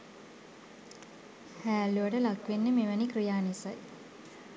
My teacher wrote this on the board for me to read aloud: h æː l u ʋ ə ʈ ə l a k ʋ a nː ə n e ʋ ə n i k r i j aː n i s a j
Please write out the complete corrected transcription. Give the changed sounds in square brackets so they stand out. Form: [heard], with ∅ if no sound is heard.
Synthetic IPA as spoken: h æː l u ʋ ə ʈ ə l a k ʋ [e] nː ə [m] e ʋ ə n i k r i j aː n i s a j